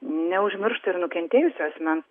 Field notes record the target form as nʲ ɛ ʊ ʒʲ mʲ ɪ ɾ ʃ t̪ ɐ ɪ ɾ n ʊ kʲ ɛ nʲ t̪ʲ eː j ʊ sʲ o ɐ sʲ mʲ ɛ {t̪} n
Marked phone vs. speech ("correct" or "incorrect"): incorrect